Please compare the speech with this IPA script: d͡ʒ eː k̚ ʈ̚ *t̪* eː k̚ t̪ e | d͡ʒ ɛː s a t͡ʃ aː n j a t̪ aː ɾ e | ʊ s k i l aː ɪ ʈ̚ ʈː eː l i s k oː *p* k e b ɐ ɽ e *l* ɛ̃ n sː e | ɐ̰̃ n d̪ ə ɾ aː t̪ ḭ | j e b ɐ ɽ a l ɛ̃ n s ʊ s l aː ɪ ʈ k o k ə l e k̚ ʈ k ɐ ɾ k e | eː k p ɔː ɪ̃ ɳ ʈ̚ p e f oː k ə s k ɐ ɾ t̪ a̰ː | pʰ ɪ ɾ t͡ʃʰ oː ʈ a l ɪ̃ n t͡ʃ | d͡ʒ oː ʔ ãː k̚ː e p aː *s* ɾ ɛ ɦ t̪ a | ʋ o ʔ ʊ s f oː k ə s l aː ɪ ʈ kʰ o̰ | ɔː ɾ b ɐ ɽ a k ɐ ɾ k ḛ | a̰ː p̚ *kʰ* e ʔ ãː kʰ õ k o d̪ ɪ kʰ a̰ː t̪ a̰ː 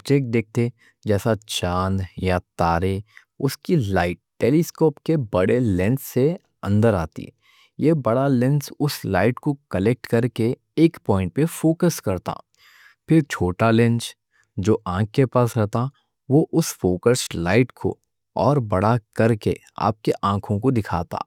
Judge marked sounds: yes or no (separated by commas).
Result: no, yes, yes, yes, no